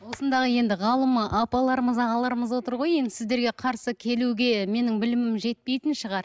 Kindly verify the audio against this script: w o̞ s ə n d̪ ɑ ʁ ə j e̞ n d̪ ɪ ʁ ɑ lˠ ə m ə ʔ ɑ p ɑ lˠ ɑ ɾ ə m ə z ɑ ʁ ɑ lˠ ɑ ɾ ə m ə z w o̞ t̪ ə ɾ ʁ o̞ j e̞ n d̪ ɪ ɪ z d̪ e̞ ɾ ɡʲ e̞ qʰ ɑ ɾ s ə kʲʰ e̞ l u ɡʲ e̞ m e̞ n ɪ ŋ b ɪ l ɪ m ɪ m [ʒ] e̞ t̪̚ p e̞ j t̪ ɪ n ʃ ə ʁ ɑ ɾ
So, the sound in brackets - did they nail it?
yes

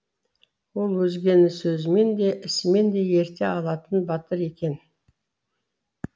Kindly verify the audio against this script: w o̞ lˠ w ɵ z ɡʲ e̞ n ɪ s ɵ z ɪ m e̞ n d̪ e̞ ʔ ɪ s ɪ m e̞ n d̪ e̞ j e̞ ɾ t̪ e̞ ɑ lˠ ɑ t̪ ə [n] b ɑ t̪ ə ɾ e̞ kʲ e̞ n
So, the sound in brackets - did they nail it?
yes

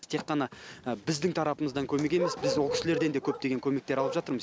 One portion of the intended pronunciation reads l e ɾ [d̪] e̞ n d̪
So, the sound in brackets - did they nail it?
yes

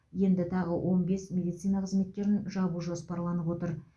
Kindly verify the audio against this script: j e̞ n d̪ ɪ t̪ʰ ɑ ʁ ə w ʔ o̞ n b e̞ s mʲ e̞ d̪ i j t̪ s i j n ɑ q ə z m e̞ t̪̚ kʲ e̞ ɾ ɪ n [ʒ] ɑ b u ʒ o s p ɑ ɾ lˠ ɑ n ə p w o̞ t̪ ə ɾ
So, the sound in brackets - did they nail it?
yes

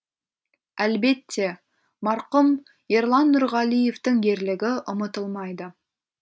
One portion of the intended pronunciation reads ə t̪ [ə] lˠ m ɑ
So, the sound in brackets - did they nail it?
yes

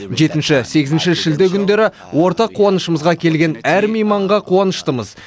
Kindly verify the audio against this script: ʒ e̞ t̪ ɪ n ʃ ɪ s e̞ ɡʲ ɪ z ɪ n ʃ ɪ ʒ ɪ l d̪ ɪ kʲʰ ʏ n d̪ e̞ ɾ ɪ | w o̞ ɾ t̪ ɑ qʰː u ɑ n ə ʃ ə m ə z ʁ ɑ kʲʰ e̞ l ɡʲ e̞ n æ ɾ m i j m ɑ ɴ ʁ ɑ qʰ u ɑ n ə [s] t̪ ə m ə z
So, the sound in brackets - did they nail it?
no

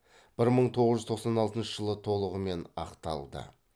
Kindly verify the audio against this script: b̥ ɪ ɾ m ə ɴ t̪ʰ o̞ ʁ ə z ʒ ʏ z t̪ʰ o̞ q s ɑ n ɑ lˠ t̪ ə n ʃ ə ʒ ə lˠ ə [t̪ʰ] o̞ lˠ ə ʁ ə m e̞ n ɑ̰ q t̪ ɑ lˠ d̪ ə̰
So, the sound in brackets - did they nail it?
yes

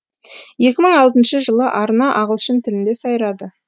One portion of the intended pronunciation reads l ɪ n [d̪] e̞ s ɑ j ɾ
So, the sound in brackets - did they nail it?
yes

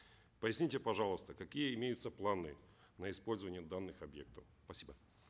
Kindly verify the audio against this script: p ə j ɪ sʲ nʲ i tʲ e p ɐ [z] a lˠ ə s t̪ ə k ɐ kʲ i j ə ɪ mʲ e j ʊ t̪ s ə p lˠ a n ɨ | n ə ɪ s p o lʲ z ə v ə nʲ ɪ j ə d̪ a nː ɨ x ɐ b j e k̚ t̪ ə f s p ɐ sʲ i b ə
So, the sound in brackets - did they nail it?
no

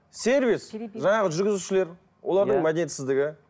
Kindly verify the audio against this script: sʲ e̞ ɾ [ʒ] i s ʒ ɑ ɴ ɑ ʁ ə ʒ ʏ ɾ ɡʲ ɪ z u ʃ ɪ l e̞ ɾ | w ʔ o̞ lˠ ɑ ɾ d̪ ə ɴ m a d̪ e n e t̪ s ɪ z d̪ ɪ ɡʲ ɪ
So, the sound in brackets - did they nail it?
no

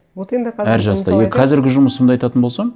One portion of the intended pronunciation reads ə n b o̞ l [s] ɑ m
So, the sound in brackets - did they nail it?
yes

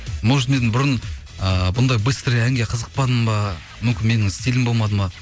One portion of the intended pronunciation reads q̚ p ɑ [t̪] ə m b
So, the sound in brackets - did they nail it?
no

